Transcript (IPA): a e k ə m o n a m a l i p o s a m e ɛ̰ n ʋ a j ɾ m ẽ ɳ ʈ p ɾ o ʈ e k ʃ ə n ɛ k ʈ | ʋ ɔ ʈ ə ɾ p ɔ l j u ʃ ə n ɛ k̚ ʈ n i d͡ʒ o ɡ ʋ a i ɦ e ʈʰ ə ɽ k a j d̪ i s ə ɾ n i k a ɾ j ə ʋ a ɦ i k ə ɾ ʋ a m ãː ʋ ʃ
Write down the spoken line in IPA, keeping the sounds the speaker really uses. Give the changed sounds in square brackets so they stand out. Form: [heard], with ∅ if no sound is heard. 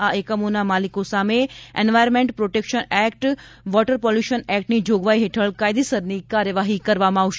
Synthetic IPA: a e k ə m o n a m a l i [k] o s a m e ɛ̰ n ʋ a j ɾ m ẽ ɳ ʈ p ɾ o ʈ e k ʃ ə n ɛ k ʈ | ʋ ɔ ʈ ə ɾ p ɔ l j u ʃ ə n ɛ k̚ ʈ n i d͡ʒ o ɡ ʋ a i ɦ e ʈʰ ə [ɭ] k a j d̪ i s ə ɾ n i k a ɾ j ə ʋ a ɦ i k ə ɾ ʋ a m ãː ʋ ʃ

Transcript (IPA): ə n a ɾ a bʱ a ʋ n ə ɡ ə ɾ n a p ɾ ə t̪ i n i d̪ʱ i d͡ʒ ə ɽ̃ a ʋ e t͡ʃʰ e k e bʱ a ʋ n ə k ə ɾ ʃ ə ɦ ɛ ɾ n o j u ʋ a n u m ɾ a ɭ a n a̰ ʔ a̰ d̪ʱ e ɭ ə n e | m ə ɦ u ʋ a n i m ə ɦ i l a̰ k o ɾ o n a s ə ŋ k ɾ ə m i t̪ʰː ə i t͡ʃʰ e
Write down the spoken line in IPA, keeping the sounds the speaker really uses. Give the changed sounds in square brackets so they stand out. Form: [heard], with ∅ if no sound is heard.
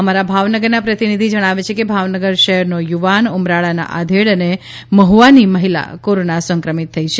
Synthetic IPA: ə [m] a ɾ a bʱ a ʋ n ə ɡ ə ɾ n a p ɾ ə t̪ i n i d̪ʱ i d͡ʒ ə ɽ̃ a ʋ e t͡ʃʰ e k e bʱ a ʋ n ə [ɡ] ə ɾ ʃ ə ɦ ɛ ɾ n o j u ʋ a n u m ɾ a ɭ a n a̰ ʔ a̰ d̪ʱ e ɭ ə n e | m ə ɦ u ʋ a n i m ə ɦ i l a̰ k o ɾ o n a s ə ŋ k ɾ ə m i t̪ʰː ə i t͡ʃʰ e

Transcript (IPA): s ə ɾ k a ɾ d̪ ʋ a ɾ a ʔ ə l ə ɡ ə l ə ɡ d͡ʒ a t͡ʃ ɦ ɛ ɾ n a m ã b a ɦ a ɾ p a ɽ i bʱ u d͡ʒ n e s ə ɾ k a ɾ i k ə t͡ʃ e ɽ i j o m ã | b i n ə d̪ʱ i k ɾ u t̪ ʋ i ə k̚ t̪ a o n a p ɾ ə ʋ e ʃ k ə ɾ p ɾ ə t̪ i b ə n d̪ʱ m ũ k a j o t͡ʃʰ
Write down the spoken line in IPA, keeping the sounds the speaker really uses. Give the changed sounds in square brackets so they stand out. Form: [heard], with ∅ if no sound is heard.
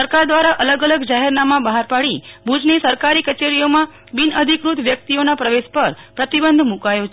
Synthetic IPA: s ə ɾ k a ɾ d̪ ʋ a ɾ a ʔ ə l ə ɡ ə l ə ɡ d͡ʒ a [∅] ɦ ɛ ɾ n a m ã b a ɦ a ɾ p a ɽ i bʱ u d͡ʒ n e s ə ɾ k a ɾ i k ə t͡ʃ e [ɾ] i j o m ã | b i n ə d̪ʱ i k ɾ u t̪ ʋ [j] ə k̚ t̪ [i] o n a p ɾ ə ʋ e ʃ [p] ə ɾ p ɾ ə t̪ i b ə n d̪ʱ m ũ k a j o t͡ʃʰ

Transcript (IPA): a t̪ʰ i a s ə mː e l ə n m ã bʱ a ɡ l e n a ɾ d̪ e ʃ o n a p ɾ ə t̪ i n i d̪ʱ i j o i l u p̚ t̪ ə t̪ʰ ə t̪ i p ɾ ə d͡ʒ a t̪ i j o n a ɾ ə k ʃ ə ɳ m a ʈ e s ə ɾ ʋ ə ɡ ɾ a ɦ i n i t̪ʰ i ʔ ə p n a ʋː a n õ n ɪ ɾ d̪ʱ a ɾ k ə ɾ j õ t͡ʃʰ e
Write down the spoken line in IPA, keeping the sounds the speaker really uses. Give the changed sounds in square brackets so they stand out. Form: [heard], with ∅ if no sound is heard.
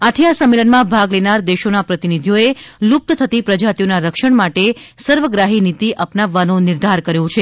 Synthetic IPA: a t̪ʰ i a s ə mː e l ə n m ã bʱ a ɡ l e n a ɾ d̪ e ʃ o n a p ɾ ə t̪ i n i d̪ʱ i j o [e] l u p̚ t̪ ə t̪ʰ ə t̪ i p ɾ ə d͡ʒ a t̪ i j o n a ɾ ə k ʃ ə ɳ m a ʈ e s ə ɾ ʋ ə ɡ ɾ a ɦ i n i [t̪] i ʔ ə p n a ʋː a n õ n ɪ ɾ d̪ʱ a ɾ k ə ɾ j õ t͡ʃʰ e

